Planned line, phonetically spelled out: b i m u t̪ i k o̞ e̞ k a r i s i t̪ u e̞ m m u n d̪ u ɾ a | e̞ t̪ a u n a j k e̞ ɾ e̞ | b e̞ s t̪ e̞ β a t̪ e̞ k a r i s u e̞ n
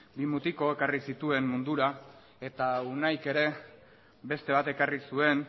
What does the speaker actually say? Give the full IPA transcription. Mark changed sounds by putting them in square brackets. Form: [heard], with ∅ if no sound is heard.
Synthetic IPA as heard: b i m u t̪ i k o̞ e̞ k a r i s i t̪ u e̞ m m u n d̪ u ɾ a | e̞ t̪ a u n a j k e̞ ɾ e̞ | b e̞ s t̪ e̞ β a t̪ e̞ k a r i s u e̞ n